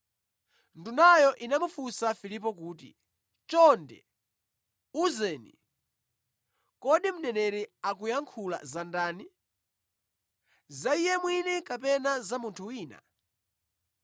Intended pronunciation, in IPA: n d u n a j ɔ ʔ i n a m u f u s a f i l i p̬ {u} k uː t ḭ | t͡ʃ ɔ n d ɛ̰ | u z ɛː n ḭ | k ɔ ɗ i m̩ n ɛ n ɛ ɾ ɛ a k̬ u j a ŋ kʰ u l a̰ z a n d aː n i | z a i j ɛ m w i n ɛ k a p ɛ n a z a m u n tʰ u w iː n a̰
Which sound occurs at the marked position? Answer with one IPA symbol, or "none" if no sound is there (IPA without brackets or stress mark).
ɔ